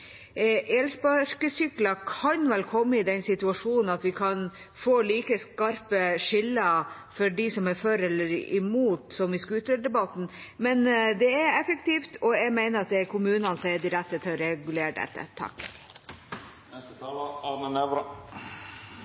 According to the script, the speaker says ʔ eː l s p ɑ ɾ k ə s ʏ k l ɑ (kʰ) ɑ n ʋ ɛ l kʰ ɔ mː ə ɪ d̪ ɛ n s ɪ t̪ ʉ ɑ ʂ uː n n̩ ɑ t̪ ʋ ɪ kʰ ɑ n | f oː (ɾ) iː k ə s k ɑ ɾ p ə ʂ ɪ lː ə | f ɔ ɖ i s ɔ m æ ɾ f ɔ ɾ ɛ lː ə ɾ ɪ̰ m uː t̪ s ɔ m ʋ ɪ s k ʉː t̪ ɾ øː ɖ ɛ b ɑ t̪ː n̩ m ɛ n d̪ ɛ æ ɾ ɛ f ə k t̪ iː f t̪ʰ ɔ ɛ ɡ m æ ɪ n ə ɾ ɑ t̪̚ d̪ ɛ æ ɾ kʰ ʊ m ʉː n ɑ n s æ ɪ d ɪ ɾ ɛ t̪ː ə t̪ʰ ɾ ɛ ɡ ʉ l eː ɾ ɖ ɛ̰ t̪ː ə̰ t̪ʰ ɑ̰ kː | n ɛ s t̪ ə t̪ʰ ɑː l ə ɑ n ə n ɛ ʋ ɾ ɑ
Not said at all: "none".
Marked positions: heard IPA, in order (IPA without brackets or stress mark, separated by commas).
kʰ, l